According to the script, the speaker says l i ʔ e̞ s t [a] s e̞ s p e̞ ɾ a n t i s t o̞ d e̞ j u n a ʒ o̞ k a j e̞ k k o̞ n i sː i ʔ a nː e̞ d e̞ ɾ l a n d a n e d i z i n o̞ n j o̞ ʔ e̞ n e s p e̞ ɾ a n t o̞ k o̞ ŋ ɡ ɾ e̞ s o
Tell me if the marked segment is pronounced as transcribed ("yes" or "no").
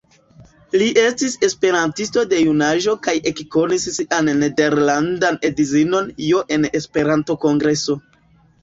no